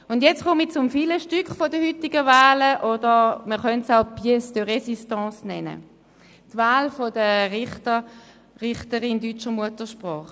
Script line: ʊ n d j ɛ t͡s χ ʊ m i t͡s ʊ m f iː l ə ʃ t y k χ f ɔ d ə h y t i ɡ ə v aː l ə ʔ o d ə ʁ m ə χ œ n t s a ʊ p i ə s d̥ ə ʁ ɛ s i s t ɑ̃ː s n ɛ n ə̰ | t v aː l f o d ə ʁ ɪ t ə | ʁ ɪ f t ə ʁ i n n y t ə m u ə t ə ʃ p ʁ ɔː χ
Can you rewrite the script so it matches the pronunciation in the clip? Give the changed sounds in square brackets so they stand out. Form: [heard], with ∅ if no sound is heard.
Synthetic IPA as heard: ʊ n d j ɛ t͡s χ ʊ m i t͡s ʊ m f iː l ə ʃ t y k χ f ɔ d ə h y t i ɡ ə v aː l ə ʔ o d ə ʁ m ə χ œ n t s a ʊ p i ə s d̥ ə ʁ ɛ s i s t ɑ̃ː s n ɛ n ə̰ | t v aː l f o d ə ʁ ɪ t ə | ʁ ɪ [χ] t ə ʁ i n [d] y [t͡ʃ] ə m u ə t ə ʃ p ʁ ɔː χ